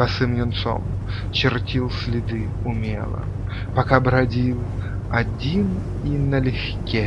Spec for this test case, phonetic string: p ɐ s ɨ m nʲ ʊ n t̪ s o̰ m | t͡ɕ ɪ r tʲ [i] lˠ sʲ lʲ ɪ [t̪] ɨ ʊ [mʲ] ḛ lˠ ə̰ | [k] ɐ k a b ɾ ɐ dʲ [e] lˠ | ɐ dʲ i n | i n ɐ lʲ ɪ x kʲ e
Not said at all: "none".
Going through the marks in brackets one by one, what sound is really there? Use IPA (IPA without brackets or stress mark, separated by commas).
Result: i, d̪, mʲ, p, i